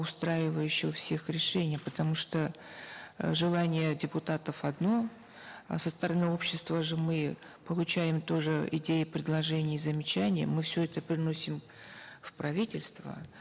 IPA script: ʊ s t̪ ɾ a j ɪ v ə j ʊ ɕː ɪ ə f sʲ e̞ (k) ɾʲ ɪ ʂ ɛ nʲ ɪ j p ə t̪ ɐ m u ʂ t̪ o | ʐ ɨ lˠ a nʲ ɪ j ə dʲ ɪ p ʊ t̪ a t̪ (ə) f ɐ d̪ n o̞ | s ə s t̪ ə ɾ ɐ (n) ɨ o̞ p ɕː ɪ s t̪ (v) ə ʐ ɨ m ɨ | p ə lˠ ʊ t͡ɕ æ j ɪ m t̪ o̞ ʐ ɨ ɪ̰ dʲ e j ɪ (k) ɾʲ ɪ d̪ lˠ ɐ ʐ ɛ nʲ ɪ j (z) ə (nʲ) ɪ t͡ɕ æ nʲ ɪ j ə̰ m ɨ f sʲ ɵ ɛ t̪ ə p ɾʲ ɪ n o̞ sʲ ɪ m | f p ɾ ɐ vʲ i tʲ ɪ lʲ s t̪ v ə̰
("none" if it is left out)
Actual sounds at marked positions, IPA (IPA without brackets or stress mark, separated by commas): x, ə, n, v, p, z, mʲ